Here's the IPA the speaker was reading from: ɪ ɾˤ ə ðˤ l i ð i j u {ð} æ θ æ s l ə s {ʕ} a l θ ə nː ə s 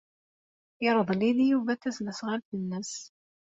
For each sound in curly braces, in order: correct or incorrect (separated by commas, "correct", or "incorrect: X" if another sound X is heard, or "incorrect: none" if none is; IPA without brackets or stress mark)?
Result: incorrect: v, incorrect: ʁ